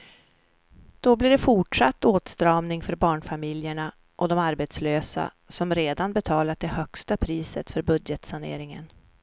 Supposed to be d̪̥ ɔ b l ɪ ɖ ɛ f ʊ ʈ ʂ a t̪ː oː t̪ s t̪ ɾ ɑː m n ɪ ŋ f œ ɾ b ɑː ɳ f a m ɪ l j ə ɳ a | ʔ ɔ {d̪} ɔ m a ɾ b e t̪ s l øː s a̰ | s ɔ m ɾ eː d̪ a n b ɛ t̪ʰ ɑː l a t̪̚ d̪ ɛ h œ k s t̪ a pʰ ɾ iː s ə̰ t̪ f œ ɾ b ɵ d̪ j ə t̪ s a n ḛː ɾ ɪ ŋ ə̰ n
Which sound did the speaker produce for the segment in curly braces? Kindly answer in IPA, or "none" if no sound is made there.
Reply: d̪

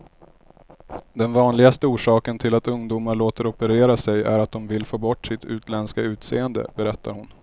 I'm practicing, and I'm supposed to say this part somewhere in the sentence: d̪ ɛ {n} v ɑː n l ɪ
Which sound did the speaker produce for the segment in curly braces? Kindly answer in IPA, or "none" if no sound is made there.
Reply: n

